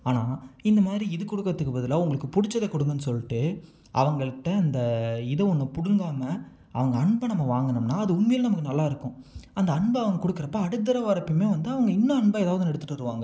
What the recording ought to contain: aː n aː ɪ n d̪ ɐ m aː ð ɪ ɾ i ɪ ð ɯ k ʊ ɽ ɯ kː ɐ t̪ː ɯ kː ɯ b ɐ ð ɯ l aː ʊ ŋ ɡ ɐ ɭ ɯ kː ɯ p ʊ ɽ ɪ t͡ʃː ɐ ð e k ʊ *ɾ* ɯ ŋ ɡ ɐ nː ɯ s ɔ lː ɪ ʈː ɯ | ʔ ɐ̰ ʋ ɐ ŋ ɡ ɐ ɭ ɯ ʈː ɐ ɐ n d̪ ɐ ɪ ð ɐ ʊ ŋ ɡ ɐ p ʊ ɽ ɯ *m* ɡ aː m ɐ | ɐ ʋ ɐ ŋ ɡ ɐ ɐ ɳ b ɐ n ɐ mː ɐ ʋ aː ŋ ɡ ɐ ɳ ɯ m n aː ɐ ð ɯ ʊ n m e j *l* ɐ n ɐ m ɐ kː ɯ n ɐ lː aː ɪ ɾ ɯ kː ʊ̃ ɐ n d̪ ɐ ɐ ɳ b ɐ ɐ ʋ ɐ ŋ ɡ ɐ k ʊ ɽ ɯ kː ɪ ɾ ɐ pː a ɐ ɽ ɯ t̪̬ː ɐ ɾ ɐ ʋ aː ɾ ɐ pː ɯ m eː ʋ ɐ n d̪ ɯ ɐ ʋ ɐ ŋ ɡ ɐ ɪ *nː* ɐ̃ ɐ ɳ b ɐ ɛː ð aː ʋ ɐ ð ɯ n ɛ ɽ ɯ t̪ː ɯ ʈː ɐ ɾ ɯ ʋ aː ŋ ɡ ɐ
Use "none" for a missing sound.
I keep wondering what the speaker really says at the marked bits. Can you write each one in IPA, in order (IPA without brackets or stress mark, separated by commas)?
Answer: ɽ, ŋ, l, nː